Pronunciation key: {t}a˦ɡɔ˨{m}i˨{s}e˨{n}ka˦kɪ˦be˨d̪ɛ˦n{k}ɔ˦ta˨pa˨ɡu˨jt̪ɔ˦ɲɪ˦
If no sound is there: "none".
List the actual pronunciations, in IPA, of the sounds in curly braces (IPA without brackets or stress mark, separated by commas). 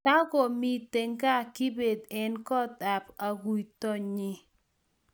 t, m, t, ŋ, k